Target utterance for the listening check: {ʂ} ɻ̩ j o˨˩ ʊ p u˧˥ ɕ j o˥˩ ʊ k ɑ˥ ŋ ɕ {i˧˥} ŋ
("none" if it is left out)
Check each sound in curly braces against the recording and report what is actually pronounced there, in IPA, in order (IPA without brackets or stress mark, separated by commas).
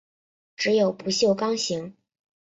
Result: ʈ͡ʂ, i˧˥